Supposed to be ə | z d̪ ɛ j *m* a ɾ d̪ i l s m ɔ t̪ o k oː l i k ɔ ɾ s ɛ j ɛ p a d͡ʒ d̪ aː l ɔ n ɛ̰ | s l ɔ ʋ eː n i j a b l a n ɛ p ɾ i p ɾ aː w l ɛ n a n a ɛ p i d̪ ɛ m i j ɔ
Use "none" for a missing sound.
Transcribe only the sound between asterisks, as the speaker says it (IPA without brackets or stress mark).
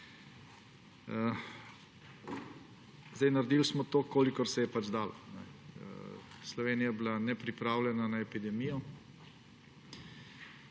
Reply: n